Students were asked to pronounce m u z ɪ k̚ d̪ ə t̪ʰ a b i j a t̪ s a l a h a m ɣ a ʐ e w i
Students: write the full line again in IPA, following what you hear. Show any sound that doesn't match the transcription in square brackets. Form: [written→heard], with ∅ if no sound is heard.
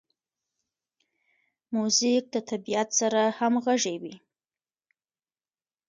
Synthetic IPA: m u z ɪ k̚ d̪ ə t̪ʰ a b i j a t̪ s a [l→ɾ] a h a m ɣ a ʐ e w i